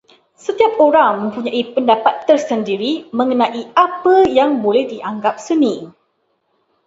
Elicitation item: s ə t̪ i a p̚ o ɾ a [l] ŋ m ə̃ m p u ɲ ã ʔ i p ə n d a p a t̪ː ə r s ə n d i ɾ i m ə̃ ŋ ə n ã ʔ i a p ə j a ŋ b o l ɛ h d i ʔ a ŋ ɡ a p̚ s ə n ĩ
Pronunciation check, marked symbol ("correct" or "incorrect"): incorrect